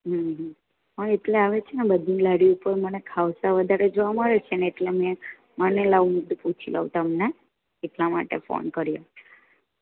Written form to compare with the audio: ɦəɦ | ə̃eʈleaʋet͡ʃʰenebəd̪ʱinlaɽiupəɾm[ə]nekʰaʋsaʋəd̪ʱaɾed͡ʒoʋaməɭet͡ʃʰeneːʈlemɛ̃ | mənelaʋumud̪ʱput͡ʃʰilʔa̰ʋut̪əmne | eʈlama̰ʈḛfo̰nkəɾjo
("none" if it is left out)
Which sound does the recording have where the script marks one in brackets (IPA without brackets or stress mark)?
ə